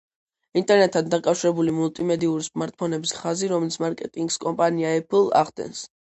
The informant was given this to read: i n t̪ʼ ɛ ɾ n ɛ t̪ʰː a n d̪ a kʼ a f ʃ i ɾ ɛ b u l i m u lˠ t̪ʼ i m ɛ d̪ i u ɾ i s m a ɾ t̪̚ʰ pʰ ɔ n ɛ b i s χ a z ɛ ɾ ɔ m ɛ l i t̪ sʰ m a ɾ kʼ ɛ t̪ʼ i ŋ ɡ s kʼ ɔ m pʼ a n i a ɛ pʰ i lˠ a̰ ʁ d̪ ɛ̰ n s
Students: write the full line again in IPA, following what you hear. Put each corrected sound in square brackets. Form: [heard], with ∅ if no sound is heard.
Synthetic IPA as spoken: i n t̪ʼ ɛ ɾ n ɛ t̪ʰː a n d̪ a kʼ a f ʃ i ɾ ɛ b u l i m u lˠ t̪ʼ i m ɛ d̪ i u ɾ i s m a ɾ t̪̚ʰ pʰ ɔ n ɛ b i s χ a z [i] ɾ ɔ m ɛ l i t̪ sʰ m a ɾ kʼ ɛ t̪ʼ i ŋ ɡ s kʼ ɔ m pʼ a n i a ɛ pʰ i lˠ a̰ ʁ d̪ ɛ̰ n s